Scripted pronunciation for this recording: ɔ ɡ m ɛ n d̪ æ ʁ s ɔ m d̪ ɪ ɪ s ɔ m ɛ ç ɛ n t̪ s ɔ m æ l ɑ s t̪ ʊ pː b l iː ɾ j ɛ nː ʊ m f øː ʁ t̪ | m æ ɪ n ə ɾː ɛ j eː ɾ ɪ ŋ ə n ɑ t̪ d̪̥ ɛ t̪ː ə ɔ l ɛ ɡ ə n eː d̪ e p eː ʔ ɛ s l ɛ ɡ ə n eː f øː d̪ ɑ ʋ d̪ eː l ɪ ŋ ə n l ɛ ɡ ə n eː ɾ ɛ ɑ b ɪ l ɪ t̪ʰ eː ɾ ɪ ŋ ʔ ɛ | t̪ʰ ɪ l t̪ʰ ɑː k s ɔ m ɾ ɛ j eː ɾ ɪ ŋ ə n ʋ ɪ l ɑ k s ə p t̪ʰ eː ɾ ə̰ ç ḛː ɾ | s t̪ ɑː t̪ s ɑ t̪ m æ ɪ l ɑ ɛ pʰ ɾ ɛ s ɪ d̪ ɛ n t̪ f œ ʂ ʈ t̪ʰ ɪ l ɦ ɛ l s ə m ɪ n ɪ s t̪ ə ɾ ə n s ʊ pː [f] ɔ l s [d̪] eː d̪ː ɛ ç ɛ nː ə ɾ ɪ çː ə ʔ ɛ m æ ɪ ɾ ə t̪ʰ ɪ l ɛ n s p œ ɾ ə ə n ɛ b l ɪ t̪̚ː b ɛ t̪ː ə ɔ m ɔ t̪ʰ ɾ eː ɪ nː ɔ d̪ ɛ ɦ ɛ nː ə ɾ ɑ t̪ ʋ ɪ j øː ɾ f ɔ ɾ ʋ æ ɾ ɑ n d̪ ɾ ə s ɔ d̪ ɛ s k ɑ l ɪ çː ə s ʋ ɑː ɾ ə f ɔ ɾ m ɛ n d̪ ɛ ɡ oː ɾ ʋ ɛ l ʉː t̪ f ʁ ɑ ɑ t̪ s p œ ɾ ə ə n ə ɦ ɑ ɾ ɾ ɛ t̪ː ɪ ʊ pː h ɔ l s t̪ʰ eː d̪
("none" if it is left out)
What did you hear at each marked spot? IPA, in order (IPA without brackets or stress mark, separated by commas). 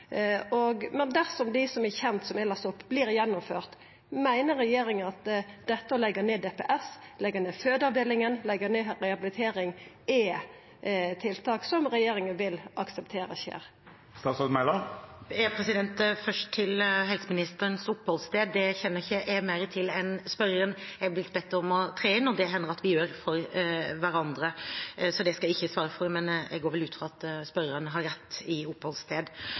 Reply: h, t̪